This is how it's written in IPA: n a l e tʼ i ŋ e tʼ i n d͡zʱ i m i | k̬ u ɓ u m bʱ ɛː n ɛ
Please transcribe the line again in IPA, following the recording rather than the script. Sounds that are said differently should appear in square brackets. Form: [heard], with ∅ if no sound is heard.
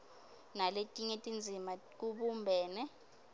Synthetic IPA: n a l e tʼ i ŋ e tʼ i n d͡zʱ i m [a] | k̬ u ɓ u m bʱ ɛː n ɛ